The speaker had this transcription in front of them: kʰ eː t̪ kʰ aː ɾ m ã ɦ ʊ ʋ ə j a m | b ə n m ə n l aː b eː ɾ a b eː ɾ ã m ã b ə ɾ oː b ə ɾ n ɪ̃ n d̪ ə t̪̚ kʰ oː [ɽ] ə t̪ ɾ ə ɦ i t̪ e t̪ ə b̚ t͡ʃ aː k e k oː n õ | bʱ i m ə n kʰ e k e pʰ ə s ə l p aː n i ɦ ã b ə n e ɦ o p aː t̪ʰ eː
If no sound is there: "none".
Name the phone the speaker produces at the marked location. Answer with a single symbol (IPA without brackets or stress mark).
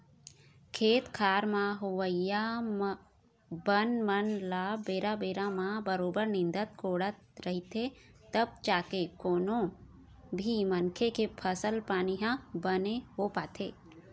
ɽ